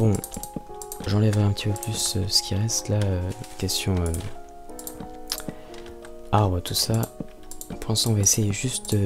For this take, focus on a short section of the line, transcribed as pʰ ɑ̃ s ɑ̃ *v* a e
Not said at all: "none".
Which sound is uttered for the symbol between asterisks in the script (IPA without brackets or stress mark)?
v